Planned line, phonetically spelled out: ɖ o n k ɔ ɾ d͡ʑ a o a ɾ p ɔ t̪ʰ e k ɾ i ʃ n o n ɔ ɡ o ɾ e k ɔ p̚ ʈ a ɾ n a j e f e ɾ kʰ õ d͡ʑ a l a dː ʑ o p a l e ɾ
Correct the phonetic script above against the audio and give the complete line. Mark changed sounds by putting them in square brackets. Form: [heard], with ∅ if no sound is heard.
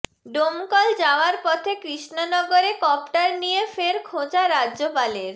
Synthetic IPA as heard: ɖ o [m] k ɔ [l] d͡ʑ a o a ɾ p ɔ t̪ʰ e k ɾ i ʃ n o n ɔ ɡ o ɾ e k ɔ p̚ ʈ a ɾ n [i] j e f e ɾ kʰ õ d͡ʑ a [ɾ] a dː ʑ o p a l e ɾ